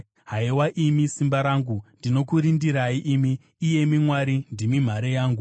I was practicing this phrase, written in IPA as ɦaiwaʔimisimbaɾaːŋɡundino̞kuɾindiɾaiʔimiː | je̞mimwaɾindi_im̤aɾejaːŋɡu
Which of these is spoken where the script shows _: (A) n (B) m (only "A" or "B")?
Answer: B